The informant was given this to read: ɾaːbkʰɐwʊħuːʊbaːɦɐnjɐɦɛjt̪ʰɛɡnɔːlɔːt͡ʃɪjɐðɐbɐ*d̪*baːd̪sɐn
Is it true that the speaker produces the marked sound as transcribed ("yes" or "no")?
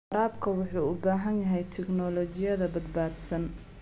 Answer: yes